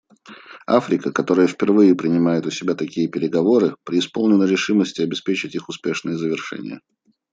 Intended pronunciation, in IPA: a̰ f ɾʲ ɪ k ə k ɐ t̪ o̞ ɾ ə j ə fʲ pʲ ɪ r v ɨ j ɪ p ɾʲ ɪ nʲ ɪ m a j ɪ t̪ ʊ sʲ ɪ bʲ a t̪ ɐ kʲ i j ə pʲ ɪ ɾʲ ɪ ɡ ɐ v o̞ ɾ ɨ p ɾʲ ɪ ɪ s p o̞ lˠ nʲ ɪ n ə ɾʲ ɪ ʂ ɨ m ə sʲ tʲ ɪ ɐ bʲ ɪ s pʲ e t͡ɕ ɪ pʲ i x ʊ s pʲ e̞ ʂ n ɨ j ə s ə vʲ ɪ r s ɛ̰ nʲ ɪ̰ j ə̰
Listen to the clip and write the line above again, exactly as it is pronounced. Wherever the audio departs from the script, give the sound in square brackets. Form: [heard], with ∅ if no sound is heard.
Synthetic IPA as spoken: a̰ f ɾʲ ɪ k ə k ɐ t̪ o̞ ɾ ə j ə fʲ pʲ ɪ r v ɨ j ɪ p ɾʲ ɪ nʲ ɪ m a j ɪ t̪ ʊ sʲ ɪ bʲ a t̪ ɐ kʲ i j ə pʲ ɪ ɾʲ ɪ ɡ ɐ v o̞ ɾ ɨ p ɾʲ ɪ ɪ s p o̞ lˠ nʲ ɪ n ə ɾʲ ɪ ʂ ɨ m ə sʲ tʲ ɪ ɐ bʲ ɪ s pʲ e t͡ɕ ɪ [tʲ] i x ʊ s pʲ e̞ ʂ n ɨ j ə [z] ə vʲ ɪ r [ʂ] ɛ̰ nʲ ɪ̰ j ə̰